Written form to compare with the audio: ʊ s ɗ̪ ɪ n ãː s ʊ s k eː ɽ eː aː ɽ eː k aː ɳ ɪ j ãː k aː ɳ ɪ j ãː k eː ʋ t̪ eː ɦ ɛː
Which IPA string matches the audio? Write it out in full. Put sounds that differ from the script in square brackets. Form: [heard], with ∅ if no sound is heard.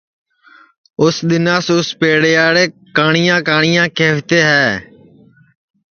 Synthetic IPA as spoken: ʊ s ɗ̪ ɪ n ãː s ʊ s [p] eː ɽ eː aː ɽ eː k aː ɳ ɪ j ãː k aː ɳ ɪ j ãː k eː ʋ t̪ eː ɦ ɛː